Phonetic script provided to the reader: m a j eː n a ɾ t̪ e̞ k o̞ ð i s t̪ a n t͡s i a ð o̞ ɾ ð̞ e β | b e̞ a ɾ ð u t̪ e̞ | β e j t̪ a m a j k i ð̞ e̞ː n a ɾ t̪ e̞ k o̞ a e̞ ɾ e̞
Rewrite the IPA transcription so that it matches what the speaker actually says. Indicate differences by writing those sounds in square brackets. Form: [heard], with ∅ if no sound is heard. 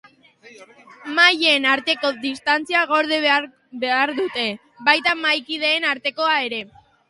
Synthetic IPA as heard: m a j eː n a ɾ t̪ e̞ k o̞ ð i s t̪ a n t͡s i a [ɣ] o̞ ɾ ð̞ e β | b e̞ a ɾ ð u t̪ e̞ | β [a] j t̪ a m a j k i ð̞ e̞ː n a ɾ t̪ e̞ k o̞ a e̞ ɾ e̞